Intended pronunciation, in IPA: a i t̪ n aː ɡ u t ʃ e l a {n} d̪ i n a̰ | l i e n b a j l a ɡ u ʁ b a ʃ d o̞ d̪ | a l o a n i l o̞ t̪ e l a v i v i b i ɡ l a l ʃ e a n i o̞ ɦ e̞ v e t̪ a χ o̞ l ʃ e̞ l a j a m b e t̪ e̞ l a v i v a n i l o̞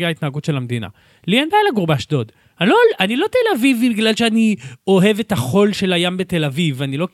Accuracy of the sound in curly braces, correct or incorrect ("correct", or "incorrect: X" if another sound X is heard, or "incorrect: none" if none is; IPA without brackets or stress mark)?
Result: incorrect: m